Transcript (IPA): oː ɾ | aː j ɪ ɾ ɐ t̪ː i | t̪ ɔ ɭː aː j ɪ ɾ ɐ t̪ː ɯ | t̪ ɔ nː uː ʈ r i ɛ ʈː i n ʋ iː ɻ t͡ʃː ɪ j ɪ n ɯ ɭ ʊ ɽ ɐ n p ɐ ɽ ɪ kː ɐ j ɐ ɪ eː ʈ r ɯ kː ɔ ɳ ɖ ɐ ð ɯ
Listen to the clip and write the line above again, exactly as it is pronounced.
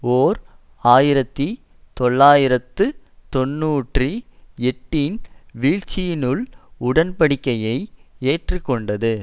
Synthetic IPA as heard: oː ɾ | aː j ɪ ɾ ɐ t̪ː i | t̪ ɔ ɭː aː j ɪ ɾ ɐ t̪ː ɯ | t̪ ɔ nː uː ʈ r i ɛ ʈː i n ʋ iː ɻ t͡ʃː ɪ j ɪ n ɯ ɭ ʊ ɽ ɐ n p ɐ ɽ ɪ kː ɐ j ɐ ɪ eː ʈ r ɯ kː ɔ ɳ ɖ ɐ ð ɯ